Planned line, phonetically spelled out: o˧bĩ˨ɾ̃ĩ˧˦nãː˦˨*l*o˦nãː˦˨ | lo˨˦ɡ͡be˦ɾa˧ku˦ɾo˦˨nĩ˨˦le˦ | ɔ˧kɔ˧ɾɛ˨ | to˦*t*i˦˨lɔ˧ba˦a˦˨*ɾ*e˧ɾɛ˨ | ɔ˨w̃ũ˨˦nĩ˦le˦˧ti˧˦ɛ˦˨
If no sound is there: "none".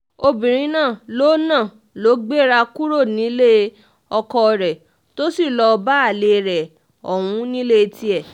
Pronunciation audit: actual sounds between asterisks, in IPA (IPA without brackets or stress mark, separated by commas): l, s, l